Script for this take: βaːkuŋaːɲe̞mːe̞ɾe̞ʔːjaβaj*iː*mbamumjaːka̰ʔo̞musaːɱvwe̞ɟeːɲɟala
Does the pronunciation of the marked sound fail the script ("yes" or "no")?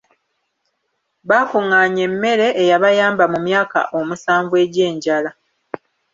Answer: yes